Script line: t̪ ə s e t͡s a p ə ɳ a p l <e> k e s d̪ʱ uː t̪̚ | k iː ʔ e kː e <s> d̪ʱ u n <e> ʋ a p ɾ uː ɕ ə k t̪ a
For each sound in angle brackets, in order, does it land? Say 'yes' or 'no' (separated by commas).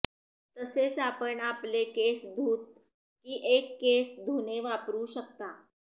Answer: yes, yes, yes